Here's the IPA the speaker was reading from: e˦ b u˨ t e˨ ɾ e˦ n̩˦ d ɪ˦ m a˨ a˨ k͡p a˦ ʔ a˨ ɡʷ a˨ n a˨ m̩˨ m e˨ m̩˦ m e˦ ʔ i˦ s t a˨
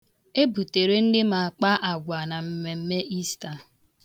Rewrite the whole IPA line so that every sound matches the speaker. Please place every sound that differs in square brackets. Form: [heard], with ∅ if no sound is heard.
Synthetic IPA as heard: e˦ b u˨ t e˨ ɾ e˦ n̩˦ d ɪ˦ m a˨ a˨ k͡p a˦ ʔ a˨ ɡʷ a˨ n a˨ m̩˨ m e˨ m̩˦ m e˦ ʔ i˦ s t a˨

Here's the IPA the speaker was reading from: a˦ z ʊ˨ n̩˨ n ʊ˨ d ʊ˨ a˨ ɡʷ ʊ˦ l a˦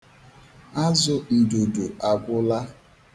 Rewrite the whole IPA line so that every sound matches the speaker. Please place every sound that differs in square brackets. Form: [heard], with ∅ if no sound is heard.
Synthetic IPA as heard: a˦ z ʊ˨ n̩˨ [d] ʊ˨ d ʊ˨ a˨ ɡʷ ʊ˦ l a˦

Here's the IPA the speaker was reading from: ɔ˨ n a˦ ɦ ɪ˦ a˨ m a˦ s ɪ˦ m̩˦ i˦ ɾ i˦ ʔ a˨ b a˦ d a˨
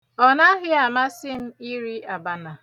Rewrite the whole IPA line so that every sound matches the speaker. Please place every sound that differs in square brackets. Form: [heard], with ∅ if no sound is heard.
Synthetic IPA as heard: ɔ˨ n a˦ ɦ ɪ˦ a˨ m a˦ s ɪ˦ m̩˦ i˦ ɾ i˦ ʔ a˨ b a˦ [n] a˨

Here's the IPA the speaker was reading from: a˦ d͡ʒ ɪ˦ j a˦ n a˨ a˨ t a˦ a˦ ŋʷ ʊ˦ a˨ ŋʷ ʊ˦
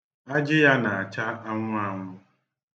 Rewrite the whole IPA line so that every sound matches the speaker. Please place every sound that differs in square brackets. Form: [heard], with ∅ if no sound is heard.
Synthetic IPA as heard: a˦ d͡ʒ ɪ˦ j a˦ n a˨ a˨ [t͡ʃ] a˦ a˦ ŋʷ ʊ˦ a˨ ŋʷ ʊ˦

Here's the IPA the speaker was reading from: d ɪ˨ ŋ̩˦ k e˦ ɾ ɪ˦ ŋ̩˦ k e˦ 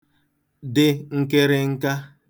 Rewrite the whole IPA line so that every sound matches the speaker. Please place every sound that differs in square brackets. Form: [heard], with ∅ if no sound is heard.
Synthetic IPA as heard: d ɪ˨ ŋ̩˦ k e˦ ɾ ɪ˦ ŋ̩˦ k [a˦]

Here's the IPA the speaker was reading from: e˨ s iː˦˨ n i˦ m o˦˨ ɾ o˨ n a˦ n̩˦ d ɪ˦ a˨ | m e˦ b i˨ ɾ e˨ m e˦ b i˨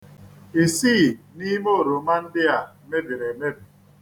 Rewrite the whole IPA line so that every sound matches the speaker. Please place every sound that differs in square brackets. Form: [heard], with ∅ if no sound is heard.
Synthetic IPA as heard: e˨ s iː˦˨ n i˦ m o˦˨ ɾ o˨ [m] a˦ n̩˦ d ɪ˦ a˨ | m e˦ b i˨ ɾ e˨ m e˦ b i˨

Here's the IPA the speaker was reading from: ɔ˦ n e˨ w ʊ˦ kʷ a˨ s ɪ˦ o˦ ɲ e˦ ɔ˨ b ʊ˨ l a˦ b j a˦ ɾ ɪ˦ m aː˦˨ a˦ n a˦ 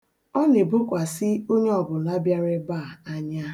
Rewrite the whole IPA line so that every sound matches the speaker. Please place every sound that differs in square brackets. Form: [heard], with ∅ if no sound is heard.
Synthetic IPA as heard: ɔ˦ n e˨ [b] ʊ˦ kʷ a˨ s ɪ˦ o˦ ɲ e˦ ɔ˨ b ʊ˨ l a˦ b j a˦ ɾ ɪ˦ [b] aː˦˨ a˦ [ɲ] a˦

